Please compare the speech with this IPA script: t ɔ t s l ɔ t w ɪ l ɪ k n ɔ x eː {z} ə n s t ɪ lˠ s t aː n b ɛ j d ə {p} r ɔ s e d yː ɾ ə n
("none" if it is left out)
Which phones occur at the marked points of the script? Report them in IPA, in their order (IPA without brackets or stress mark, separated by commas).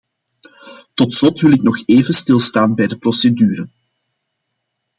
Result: v, p